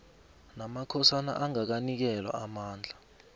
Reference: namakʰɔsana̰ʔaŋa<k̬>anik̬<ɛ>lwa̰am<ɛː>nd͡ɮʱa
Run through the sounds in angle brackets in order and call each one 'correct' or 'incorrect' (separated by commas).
correct, correct, incorrect